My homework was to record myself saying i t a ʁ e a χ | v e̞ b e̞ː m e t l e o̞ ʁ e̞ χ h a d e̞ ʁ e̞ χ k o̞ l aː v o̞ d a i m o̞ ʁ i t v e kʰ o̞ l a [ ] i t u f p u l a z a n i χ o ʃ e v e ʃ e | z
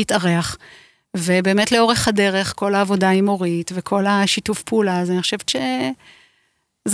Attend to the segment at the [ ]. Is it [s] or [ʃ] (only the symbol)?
ʃ